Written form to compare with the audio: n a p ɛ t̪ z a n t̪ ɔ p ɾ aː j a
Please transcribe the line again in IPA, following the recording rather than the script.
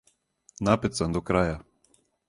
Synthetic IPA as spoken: n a p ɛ t̪ s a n d̪ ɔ k ɾ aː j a

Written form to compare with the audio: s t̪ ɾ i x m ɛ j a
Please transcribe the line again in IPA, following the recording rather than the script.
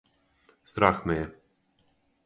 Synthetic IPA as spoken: s t̪ ɾ a x m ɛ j ɛ

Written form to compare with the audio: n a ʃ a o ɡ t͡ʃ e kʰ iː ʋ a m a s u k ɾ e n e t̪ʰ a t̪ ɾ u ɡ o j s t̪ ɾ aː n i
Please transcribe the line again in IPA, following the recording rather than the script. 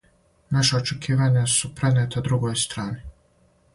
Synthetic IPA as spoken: n a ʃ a o t͡ʃ e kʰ iː ʋ a ɲ a s u p ɾ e n e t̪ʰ a d̪ ɾ u ɡ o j s t̪ ɾ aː n i

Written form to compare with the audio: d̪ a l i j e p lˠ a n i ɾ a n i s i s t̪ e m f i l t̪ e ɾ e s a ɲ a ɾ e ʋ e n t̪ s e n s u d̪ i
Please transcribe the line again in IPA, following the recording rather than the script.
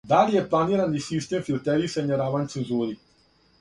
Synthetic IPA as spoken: d̪ a l i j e p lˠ a n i ɾ a n i s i s t̪ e m f i l t̪ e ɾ i s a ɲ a ɾ a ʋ a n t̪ s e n z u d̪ i

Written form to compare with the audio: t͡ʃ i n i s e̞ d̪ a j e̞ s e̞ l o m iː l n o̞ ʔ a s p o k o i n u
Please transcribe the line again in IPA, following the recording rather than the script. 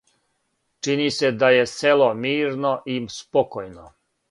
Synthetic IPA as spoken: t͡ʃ i n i s e̞ d̪ a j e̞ s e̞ l o m iː ɾ n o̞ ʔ i s p o k o j n o

